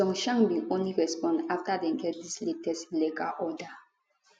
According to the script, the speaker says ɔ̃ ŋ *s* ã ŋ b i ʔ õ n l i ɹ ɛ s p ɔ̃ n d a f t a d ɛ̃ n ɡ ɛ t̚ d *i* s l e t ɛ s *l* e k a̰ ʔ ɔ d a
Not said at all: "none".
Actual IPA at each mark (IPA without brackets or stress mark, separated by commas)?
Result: ʃ, i, l